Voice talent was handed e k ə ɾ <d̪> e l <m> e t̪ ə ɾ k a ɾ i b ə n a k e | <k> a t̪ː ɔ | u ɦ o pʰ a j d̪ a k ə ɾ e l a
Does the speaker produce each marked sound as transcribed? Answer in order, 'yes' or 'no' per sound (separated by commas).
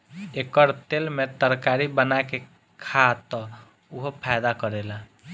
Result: no, yes, no